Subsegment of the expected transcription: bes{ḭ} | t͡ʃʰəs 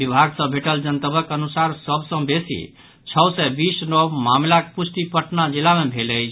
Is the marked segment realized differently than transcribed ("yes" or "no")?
no